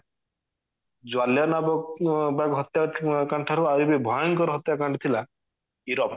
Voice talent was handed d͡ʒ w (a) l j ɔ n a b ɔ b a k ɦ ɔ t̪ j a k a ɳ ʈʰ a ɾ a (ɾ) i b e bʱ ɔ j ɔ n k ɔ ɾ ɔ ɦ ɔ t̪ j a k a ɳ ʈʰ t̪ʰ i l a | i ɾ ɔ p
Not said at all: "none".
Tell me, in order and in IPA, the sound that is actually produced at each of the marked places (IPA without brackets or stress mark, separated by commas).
a, ɾ